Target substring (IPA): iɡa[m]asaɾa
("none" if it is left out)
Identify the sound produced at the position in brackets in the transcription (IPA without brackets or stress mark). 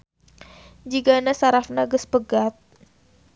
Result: n